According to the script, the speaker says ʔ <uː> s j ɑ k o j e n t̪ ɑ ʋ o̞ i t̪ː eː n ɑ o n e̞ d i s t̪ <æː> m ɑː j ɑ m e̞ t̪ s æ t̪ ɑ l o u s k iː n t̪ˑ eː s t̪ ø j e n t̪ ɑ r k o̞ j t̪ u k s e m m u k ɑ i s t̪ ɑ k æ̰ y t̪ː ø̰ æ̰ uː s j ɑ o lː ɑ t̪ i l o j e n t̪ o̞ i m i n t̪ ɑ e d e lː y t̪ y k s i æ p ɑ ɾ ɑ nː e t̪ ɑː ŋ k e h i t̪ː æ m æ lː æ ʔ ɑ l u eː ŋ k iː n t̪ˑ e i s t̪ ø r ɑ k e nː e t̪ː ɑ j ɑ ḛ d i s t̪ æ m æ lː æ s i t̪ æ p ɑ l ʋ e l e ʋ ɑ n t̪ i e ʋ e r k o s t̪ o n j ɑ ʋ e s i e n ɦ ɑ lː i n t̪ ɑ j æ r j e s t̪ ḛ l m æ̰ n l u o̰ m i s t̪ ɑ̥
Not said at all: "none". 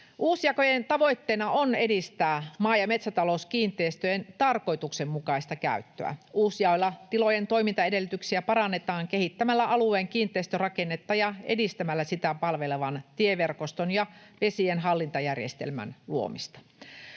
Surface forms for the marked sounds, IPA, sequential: uː, æː

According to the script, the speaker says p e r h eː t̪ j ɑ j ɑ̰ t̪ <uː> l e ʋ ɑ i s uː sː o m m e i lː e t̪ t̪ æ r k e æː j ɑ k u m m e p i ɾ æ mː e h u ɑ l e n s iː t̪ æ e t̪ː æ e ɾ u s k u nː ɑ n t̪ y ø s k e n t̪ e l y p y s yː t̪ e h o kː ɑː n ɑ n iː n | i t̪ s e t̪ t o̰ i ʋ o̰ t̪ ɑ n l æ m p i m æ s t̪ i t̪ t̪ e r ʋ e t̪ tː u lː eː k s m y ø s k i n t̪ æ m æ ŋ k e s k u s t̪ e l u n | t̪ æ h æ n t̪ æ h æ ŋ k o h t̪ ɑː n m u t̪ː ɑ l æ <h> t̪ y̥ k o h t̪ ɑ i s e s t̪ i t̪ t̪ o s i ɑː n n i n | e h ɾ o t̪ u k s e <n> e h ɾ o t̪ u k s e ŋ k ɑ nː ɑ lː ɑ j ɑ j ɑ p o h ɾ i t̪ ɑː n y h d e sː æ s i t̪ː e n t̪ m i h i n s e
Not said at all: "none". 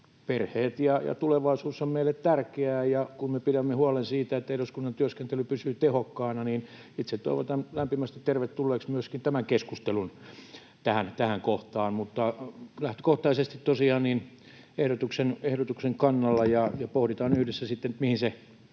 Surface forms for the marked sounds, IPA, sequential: u, h, n

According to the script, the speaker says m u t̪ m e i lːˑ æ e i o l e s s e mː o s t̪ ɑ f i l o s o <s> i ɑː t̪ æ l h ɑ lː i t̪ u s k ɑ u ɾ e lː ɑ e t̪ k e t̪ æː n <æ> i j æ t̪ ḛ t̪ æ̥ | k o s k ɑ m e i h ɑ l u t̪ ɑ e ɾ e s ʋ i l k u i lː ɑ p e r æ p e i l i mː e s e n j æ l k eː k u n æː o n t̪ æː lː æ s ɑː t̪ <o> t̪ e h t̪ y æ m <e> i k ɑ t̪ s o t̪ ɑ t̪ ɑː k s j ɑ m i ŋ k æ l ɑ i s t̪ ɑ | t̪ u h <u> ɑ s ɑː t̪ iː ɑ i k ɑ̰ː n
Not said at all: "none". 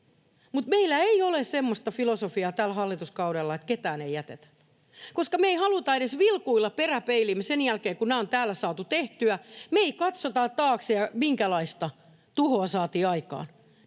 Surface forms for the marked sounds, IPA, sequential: f, e, u, e, o

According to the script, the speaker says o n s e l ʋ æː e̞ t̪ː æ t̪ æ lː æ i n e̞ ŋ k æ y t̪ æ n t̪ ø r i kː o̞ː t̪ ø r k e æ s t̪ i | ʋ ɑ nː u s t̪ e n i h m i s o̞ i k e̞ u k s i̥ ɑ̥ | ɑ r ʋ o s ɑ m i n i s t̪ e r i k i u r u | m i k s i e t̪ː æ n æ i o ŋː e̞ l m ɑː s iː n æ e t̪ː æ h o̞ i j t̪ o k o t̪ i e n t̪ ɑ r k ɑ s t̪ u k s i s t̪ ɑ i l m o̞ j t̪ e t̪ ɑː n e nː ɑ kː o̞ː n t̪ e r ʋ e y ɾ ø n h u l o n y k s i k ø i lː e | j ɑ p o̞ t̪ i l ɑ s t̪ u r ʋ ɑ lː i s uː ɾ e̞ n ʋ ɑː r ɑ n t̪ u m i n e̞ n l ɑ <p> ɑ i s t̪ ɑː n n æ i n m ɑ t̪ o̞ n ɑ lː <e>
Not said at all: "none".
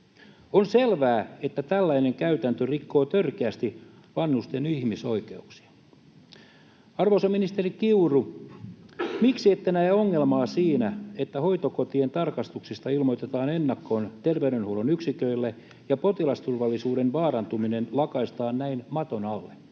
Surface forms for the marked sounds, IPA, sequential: k, e

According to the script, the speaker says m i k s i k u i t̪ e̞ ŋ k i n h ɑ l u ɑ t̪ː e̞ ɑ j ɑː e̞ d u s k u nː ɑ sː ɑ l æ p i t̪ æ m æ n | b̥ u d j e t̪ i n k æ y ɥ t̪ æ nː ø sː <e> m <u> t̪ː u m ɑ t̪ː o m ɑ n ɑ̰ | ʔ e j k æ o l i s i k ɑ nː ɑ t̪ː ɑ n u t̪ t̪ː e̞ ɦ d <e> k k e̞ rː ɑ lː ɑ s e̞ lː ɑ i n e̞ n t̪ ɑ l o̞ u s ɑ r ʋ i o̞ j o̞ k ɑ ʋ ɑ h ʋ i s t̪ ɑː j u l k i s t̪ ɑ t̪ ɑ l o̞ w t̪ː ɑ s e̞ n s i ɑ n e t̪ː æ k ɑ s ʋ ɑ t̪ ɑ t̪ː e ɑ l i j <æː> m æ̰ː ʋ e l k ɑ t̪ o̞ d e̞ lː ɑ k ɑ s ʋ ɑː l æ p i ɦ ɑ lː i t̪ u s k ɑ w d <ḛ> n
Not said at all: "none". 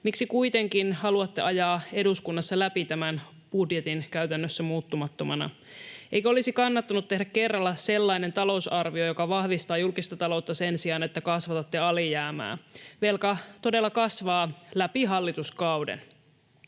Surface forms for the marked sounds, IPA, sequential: æ, uː, æ, æː, ḛ

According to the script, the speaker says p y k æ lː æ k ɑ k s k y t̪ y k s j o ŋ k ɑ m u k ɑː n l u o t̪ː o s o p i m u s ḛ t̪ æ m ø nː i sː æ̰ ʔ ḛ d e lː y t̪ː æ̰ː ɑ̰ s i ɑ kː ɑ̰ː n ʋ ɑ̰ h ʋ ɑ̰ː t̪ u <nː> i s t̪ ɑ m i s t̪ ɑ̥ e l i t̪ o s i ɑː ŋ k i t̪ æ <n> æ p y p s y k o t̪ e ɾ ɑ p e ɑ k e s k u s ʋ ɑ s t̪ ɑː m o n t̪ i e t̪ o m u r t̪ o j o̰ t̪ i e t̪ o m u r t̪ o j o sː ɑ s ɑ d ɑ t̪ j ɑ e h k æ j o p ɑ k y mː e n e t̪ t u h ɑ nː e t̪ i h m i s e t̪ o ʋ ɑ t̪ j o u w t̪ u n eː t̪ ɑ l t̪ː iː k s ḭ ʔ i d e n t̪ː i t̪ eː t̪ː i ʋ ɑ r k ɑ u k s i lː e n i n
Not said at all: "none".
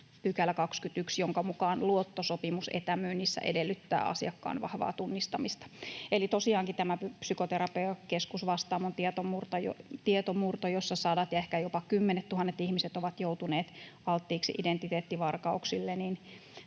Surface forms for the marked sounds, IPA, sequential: nː, m

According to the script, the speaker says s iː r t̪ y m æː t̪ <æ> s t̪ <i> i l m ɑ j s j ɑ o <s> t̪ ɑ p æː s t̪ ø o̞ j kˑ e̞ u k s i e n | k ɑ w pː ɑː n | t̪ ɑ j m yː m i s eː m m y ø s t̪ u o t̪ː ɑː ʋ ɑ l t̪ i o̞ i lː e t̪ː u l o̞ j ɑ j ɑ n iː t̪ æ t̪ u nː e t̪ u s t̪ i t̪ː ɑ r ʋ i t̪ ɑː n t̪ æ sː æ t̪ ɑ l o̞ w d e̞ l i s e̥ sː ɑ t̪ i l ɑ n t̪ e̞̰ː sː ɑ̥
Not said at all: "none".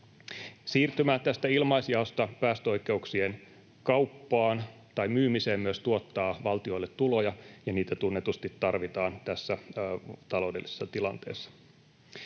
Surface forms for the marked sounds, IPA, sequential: æ, æ, s

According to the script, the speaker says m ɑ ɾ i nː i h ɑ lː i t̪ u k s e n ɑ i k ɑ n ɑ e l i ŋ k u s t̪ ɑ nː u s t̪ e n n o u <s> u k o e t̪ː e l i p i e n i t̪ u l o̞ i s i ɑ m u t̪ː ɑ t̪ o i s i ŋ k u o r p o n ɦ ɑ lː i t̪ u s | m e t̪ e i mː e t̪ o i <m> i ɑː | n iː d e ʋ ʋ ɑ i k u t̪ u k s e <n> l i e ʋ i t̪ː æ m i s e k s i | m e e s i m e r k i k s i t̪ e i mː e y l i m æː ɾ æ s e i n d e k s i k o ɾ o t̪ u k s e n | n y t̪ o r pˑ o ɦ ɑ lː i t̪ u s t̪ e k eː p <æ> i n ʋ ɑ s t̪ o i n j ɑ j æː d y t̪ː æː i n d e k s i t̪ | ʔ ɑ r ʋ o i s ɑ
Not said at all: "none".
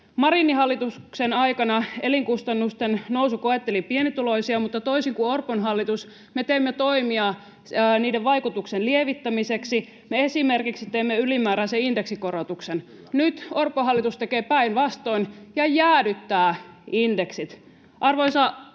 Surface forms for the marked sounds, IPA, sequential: s, m, n, æ

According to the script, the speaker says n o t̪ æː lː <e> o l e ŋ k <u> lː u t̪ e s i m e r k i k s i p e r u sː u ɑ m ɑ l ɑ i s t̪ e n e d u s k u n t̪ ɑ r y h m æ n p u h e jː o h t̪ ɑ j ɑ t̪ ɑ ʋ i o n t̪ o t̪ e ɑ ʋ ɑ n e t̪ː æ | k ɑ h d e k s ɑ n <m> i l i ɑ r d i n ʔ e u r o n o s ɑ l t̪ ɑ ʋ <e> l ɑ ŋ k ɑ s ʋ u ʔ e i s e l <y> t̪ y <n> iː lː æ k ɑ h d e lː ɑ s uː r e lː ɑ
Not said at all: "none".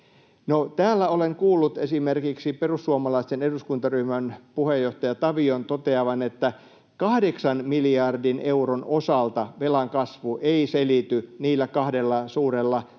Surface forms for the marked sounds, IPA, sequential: æ, uː, m, e, i, n

